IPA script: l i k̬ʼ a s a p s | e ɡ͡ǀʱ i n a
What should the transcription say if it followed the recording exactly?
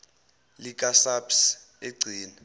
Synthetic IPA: l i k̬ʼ a s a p s | e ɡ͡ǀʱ iː n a